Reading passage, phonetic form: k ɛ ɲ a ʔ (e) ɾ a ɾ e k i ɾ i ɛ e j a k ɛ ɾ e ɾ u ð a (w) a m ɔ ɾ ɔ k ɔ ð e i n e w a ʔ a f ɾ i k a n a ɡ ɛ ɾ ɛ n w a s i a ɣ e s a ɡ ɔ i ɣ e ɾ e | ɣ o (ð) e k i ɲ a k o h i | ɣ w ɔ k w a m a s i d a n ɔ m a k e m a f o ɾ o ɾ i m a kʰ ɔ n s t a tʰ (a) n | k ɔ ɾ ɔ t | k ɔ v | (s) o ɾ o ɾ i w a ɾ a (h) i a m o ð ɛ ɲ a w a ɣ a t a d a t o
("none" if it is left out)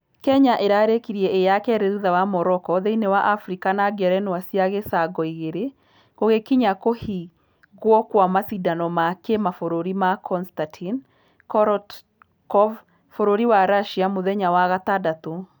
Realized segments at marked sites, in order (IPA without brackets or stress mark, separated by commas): e, w, ɣ, i, f, ʃ